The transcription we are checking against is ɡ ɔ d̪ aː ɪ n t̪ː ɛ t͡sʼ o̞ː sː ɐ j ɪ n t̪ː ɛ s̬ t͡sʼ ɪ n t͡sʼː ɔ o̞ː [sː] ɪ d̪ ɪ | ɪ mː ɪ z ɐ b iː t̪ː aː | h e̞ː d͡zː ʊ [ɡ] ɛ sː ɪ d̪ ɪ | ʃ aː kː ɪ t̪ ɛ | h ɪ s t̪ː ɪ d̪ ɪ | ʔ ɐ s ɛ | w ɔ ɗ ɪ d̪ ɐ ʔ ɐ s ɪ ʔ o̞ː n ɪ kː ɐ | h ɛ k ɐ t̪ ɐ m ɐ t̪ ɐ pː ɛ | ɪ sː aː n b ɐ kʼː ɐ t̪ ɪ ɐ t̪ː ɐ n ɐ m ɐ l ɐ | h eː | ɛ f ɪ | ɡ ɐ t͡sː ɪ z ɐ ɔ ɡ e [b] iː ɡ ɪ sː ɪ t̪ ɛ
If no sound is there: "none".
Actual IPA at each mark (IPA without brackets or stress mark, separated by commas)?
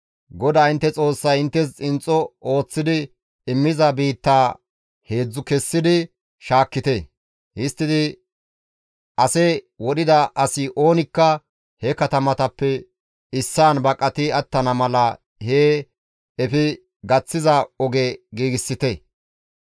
t͡sː, k, ɡ